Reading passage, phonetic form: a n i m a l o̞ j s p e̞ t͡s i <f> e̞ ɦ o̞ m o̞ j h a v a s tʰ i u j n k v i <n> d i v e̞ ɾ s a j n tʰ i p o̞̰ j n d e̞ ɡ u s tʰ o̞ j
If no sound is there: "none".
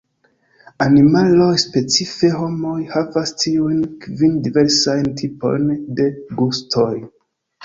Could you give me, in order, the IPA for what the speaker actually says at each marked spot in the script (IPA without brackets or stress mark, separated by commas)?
f, n